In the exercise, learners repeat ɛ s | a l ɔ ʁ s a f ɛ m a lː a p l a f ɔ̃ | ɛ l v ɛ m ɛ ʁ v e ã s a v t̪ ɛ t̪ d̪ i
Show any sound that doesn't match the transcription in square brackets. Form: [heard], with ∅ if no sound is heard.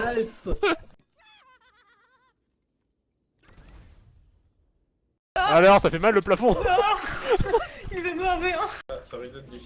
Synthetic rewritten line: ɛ s | a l ɔ ʁ s a f ɛ m a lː [ə] p l a f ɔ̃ | [i] l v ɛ m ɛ ʁ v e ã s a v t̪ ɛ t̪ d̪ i